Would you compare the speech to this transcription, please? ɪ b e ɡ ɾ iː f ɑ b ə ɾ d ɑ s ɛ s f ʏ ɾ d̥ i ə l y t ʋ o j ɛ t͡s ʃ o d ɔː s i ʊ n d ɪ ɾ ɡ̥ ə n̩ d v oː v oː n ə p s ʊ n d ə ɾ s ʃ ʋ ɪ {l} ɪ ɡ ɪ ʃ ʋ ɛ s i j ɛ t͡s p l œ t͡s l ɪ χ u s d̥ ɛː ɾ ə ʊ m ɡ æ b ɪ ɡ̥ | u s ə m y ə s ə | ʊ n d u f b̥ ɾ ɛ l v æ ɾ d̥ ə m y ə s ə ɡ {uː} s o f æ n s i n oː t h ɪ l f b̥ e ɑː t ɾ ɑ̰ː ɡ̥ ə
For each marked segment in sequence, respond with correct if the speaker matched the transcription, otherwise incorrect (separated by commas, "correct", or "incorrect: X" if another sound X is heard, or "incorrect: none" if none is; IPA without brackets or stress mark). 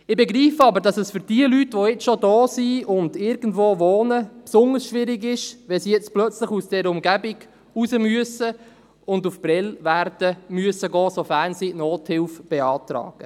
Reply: incorrect: ɾ, incorrect: ɔː